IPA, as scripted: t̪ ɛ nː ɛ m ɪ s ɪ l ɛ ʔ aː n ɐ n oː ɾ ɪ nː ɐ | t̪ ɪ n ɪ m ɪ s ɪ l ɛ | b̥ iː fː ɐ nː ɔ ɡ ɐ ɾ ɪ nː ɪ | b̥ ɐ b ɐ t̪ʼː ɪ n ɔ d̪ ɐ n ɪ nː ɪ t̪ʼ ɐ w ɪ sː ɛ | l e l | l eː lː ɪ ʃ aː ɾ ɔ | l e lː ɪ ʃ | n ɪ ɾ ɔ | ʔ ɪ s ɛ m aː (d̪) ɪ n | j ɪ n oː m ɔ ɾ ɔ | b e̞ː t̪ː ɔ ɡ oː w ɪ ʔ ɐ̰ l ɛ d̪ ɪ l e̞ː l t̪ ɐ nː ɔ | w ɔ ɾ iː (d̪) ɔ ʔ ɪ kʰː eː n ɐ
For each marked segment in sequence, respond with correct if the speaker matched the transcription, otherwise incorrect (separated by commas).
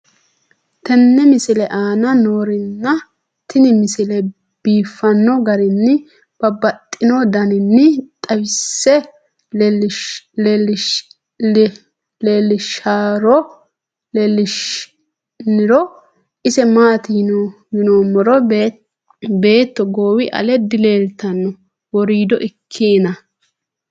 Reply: incorrect, correct